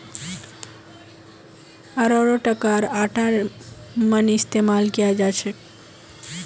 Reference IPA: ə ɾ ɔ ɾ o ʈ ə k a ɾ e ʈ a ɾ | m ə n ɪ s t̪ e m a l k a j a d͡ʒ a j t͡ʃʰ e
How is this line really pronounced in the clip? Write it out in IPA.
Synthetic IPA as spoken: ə ɾ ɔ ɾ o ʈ ə k a ɾ a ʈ a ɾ | m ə n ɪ s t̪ e m a l k i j a d͡ʒ a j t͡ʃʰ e